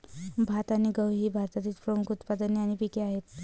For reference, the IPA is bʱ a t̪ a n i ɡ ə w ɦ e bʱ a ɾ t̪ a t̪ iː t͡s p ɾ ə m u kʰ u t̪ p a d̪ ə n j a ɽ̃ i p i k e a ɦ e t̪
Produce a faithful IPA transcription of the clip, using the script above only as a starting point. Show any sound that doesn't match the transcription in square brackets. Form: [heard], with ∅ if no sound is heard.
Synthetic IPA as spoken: bʱ a t̪ a n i ɡ ə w ɦ [i] bʱ a ɾ t̪ a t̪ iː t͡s p ɾ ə m u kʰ u t̪ p a d̪ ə n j a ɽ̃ i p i k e a ɦ e t̪